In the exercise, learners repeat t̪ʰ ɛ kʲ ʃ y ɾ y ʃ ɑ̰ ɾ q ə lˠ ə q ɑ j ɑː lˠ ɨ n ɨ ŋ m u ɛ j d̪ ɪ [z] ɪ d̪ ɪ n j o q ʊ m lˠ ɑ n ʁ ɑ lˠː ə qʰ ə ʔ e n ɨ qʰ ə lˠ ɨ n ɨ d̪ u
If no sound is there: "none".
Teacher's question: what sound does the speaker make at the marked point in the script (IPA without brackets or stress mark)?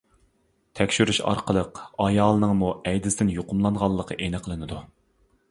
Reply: s